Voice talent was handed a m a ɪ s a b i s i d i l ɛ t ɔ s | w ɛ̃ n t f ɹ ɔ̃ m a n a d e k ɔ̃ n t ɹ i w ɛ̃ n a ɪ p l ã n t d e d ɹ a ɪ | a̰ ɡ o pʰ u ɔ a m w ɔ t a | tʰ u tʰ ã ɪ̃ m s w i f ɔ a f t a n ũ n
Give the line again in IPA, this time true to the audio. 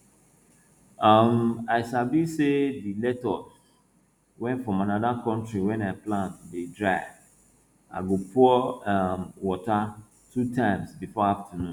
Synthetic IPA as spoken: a m a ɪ s a b i s e d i l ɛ t ɔ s | w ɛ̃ n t f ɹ ɔ̃ m a n a d a k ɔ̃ n t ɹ i w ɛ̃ n a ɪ p l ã n t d e d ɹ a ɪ | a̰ ɡ o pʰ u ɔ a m w ɔ t a | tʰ u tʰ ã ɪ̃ m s b i f ɔ a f t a n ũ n